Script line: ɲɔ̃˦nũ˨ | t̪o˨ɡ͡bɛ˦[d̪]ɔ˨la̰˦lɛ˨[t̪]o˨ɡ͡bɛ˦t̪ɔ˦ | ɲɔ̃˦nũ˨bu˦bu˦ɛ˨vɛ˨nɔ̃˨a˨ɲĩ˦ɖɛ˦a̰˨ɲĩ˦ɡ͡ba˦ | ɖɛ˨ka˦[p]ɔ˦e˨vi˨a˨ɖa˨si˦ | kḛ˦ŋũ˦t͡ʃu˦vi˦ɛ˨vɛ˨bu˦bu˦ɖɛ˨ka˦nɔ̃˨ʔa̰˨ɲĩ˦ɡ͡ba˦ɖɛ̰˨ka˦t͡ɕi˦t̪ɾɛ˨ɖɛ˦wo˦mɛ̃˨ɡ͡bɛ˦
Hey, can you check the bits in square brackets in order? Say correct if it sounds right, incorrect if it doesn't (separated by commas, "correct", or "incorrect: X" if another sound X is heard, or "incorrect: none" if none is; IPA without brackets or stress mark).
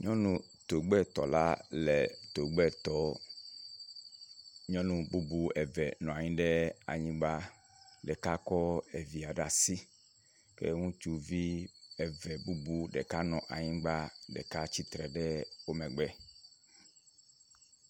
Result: incorrect: t̪, correct, incorrect: k